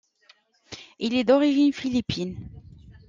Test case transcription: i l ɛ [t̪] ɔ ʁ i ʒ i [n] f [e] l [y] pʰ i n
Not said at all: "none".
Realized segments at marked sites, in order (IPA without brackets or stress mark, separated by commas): d̪, n, i, i